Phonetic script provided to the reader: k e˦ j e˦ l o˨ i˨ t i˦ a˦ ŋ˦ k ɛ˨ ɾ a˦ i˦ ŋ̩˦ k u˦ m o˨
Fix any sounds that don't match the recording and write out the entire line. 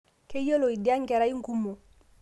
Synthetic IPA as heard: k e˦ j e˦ l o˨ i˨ d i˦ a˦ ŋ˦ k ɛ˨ ɾ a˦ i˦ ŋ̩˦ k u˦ m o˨